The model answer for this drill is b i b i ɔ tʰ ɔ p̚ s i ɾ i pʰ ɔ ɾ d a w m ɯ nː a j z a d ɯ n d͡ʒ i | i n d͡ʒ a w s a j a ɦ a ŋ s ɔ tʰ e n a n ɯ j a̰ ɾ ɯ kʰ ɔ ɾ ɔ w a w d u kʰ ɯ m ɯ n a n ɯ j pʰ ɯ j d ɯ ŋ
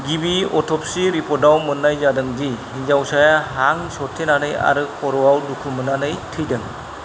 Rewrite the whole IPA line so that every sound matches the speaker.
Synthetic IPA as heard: ɡ i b i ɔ tʰ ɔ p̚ s i ɾ i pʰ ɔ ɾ d a w m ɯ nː a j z a d ɯ ŋ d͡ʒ i | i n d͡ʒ a w s a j a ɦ a ŋ s ɔ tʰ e n a n ɯ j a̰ ɾ ɯ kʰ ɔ ɾ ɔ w a w d u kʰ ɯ m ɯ n a n ɯ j tʰ ɯ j d ɯ ŋ